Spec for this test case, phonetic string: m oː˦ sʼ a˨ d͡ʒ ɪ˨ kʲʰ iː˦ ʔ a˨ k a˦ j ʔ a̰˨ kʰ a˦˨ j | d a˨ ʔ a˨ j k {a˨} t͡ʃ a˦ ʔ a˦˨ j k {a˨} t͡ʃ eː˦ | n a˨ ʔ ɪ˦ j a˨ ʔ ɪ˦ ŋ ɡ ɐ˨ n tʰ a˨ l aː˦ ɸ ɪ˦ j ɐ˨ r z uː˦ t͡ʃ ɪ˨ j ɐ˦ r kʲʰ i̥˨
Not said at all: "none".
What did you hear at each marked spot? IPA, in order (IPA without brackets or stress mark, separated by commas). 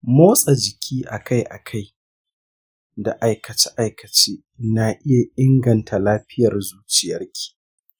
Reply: ɐ˨, ɐ˨